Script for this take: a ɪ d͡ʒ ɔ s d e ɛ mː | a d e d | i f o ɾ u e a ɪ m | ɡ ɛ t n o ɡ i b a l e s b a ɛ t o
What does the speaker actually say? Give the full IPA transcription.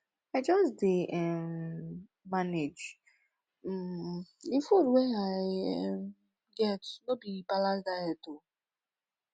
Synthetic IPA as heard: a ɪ d͡ʒ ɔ s d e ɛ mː | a n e d͡ʒ | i f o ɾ w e a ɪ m | ɡ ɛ t n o b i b a l a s d a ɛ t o

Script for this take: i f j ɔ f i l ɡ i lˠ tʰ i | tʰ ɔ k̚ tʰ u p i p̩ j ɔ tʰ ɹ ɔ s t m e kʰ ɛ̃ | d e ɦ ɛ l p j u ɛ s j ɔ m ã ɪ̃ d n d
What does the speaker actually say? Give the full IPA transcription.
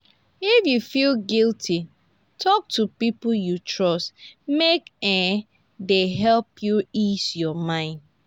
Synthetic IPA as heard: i f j u f i l ɡ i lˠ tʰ i | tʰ ɔ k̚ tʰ u p i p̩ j u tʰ ɹ ɔ s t m e k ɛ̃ | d e ɦ ɛ l p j u i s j ɔ m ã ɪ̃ n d

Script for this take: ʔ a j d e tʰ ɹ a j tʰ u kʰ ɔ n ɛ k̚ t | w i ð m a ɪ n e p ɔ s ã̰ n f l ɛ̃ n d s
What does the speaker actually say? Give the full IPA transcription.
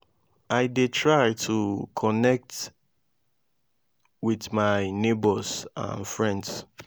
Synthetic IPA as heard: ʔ a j d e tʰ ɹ a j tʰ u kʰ ɔ n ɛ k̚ t | w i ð m a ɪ n e b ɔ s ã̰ n f ɹ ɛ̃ n d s

